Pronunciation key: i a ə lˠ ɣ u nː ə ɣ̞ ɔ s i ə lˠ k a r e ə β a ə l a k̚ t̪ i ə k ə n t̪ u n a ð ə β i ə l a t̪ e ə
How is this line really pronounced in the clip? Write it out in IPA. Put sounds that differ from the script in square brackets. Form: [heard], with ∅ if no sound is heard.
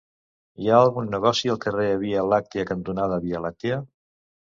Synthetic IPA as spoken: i a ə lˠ ɣ u nː ə ɣ̞ ɔ s i ə lˠ k [ə] r e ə β [i] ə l a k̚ t̪ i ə k ə n t̪ u n a ð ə β i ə l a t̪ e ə